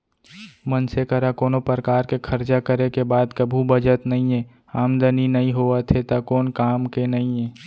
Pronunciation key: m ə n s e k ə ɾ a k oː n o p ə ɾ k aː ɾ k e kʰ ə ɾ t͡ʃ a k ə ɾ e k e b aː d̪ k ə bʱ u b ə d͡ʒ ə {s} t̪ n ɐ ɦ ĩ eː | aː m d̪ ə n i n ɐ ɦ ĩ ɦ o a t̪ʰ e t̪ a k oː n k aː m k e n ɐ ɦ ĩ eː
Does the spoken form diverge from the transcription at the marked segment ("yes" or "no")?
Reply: yes